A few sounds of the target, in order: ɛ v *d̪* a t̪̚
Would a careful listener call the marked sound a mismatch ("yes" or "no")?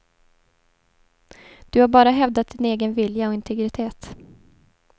no